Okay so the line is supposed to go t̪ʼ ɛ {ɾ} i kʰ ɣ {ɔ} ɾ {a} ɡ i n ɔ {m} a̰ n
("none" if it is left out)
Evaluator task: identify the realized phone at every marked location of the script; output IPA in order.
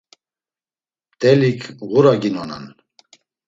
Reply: l, u, a, n

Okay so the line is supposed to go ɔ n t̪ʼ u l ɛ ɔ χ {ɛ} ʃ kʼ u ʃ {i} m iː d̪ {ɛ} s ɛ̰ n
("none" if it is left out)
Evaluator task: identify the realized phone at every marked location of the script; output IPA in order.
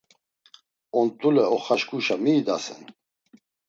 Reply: a, a, a

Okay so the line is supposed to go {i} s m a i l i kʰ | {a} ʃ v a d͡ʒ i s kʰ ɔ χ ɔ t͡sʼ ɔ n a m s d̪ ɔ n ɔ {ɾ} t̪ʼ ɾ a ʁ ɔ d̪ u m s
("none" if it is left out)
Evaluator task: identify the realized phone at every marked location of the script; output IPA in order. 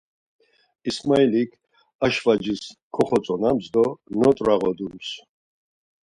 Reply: i, a, none

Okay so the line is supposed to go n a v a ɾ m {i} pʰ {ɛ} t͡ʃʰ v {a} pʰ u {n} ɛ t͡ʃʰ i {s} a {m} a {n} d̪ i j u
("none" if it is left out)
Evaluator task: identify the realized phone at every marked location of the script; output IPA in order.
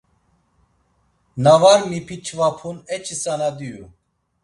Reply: i, i, a, n, s, n, none

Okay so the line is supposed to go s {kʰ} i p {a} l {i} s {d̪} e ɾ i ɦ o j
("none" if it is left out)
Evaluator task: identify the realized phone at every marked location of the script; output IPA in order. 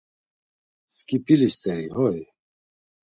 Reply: k, i, i, t̪

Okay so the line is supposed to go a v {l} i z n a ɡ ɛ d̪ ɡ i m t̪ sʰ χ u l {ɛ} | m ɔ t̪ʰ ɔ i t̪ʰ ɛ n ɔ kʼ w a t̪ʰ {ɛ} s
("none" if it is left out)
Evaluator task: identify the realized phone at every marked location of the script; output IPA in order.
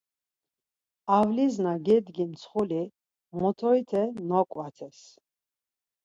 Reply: l, i, ɛ

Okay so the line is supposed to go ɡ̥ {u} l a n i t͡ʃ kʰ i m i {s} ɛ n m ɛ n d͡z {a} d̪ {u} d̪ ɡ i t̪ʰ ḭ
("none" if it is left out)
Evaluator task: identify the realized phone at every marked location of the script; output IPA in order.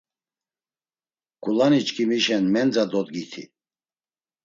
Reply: u, ʃ, a, ɔ

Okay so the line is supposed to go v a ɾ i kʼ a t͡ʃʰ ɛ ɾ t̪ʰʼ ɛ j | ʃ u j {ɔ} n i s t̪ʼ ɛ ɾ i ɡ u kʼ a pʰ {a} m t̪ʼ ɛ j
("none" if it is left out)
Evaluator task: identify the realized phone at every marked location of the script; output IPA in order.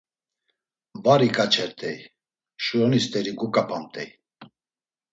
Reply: ɔ, a

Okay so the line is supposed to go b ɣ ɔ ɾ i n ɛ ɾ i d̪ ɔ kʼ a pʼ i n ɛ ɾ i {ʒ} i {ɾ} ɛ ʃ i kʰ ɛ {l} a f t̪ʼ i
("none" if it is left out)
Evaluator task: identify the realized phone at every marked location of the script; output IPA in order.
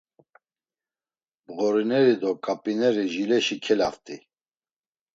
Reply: ʒ, l, l

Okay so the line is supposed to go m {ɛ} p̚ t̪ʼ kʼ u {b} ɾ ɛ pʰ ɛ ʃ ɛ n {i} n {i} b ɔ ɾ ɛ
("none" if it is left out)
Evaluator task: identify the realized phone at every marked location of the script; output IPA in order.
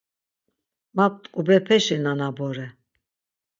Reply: a, b, a, a

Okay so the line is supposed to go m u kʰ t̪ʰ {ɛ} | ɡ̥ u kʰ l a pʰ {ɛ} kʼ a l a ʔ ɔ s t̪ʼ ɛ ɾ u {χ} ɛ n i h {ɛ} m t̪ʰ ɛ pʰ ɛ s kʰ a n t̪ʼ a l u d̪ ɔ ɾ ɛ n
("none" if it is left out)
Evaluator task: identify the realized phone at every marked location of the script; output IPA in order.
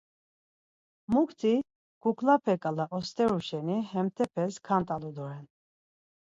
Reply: i, ɛ, ʃ, ɛ

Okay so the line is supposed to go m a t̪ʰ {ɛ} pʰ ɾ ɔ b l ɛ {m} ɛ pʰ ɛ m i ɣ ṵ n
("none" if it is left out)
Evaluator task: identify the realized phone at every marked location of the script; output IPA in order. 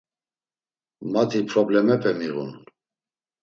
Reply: i, m

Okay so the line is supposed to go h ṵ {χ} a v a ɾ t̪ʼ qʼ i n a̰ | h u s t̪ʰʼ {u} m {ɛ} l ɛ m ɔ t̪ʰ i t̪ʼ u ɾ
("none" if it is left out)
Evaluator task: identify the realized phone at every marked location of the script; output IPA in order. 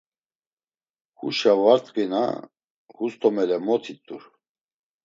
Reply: ʃ, ɔ, ɛ

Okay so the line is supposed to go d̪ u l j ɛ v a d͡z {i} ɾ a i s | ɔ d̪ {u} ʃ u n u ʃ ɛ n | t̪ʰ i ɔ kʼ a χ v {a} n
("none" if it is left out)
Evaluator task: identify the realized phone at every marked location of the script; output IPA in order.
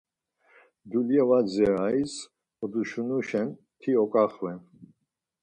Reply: ɛ, u, ɛ

